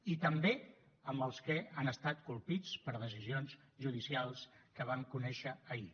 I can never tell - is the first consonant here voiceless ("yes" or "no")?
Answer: yes